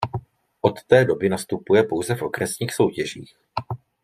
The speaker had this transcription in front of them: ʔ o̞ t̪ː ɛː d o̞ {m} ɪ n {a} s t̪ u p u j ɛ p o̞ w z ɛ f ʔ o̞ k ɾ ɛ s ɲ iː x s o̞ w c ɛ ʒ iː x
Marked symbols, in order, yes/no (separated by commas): no, yes